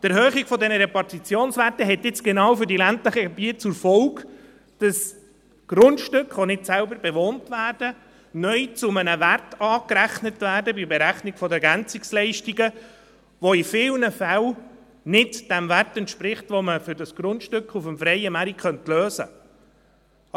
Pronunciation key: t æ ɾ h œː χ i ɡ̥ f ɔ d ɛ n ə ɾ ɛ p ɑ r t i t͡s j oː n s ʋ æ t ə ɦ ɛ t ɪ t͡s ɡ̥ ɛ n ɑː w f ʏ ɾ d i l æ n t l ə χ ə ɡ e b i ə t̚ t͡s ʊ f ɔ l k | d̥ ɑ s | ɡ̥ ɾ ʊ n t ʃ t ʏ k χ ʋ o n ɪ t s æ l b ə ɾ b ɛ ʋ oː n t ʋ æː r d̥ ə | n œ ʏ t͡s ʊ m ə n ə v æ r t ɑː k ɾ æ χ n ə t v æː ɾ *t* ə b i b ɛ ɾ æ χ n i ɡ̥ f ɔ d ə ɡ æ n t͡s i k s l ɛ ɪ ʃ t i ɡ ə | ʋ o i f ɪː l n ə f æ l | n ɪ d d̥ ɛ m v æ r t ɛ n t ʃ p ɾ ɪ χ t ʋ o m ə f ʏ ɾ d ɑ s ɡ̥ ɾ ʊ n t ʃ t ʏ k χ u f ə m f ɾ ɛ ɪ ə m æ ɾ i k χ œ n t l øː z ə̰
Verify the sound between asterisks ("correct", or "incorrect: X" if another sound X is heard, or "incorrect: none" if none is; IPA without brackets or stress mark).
incorrect: d